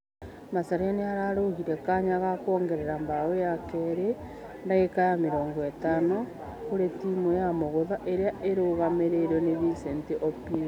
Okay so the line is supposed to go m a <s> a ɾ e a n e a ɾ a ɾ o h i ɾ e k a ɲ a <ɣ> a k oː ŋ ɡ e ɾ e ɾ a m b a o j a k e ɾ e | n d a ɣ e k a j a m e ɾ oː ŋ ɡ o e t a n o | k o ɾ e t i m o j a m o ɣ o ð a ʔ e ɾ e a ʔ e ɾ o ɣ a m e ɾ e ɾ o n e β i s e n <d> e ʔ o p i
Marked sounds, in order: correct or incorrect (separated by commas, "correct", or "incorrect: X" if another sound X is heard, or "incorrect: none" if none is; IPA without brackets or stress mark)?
correct, correct, incorrect: t